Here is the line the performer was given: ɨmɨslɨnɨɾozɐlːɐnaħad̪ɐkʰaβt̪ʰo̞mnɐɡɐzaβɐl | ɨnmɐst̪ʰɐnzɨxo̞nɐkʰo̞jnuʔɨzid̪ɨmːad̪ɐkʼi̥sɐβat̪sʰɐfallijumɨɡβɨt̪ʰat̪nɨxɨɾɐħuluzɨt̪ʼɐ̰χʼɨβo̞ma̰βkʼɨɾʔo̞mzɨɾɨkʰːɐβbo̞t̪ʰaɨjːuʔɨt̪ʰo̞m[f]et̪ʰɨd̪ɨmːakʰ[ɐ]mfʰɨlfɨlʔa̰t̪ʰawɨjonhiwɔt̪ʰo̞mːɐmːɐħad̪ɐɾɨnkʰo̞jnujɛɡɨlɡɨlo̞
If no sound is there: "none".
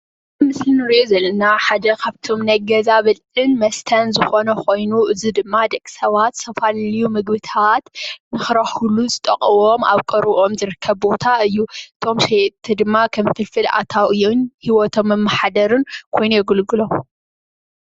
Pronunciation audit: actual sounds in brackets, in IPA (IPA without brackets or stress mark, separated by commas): ʃ, ɐ